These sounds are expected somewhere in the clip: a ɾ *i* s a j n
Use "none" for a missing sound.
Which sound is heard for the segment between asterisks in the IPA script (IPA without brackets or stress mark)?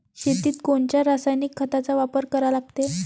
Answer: a